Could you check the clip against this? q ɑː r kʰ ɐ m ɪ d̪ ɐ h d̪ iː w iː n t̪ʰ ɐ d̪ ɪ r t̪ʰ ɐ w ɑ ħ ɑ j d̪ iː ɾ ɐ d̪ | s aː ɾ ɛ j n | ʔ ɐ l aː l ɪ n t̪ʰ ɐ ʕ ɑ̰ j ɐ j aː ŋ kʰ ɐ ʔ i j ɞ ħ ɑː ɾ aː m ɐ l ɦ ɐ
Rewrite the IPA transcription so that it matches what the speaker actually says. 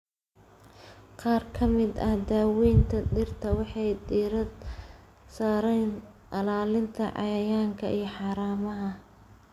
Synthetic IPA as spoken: q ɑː r kʰ ɐ m ɪ d̪ ɐ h d̪ aː w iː n t̪ʰ ɐ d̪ ɪ r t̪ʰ ɐ w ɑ ħ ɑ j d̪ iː ɾ ɐ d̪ | s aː ɾ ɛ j n | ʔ ɐ l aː l ɪ n t̪ʰ ɐ ʕ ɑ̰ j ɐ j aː ŋ kʰ ɐ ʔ i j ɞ ħ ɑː ɾ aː m ɐ ɦ ɐ